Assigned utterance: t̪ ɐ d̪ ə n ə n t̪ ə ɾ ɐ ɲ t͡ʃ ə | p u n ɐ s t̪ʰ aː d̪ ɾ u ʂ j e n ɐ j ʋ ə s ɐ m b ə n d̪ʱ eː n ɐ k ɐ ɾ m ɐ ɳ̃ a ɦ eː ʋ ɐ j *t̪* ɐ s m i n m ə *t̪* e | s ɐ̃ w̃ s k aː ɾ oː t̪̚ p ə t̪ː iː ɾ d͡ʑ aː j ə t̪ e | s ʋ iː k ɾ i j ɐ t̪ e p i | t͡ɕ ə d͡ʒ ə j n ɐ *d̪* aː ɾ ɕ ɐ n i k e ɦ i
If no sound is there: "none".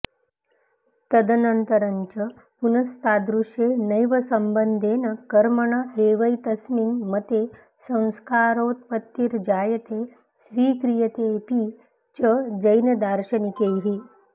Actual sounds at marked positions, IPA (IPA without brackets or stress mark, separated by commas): t̪, t̪, d̪